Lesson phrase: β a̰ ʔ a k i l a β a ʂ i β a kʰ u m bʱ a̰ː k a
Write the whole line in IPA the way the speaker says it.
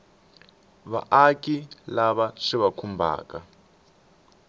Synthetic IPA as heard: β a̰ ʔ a k i l a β a ʂ i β a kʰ u m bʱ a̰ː k a